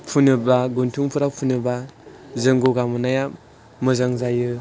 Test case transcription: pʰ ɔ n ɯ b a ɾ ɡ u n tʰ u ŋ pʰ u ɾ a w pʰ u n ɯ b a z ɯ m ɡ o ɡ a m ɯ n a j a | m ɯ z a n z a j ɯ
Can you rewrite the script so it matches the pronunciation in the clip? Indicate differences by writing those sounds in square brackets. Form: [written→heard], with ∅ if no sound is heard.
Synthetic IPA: pʰ [ɔ→u] n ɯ b a [ɾ→∅] ɡ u n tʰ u ŋ pʰ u ɾ a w pʰ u n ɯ b a z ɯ [m→ŋ] ɡ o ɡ a m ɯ n a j a | m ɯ z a [n→ŋ] z a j ɯ